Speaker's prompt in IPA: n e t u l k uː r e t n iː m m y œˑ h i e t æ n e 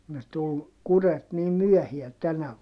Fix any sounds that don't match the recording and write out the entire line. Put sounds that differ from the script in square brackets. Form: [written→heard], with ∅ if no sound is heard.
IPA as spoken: n e t u l k [uː→u] r e t n iː m m y œˑ h i [e→æ] t æ n [e→æ]